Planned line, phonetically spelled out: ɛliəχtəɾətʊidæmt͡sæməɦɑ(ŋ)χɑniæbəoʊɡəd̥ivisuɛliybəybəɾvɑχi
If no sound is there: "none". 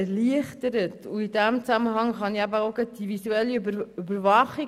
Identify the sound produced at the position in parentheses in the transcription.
ŋ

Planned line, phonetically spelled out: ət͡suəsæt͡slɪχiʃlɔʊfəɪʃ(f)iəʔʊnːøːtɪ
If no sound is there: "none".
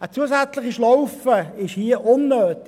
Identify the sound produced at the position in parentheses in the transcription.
h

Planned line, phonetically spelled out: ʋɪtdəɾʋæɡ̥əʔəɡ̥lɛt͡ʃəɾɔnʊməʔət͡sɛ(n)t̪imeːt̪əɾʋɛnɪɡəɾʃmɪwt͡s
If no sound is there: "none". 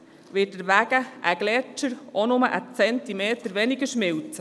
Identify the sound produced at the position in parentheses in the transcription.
n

